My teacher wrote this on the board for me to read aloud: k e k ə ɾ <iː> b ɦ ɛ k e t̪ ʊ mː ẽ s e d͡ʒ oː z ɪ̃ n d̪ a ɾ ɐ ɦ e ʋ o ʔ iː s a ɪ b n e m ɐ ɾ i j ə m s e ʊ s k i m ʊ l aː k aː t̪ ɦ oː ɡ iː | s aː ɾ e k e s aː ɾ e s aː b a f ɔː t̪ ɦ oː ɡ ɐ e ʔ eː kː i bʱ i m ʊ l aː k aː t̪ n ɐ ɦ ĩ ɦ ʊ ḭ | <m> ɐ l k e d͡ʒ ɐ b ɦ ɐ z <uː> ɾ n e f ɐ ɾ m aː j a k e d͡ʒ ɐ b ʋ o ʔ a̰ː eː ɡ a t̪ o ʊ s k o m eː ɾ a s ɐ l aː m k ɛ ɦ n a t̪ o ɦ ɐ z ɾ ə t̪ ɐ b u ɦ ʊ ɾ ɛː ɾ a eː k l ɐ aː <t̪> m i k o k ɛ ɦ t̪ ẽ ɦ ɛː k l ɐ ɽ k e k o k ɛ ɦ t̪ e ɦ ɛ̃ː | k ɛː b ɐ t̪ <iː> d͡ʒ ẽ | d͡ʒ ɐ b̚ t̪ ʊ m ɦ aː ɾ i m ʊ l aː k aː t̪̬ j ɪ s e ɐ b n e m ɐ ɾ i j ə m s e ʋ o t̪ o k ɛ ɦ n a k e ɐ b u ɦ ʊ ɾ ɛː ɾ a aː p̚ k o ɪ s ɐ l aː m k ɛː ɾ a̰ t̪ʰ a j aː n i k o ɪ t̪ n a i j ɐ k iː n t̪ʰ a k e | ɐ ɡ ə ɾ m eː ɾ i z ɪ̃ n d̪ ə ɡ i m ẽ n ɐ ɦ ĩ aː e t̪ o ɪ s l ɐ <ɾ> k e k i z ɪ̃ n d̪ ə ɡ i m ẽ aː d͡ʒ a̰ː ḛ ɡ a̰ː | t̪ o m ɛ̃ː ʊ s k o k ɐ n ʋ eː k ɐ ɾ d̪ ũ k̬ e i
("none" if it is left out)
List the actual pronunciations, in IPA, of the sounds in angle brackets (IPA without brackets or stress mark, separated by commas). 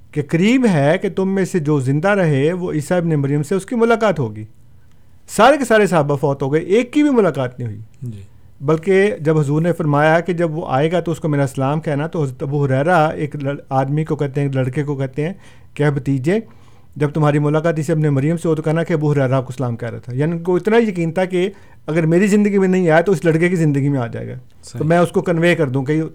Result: iː, b, uː, d̪, iː, ɽ